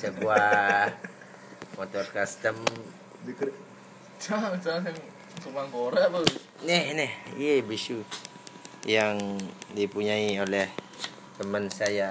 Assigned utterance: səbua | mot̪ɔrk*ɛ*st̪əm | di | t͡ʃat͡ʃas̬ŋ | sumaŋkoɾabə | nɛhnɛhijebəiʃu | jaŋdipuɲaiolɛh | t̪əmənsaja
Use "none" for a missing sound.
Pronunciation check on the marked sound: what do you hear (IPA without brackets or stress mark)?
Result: a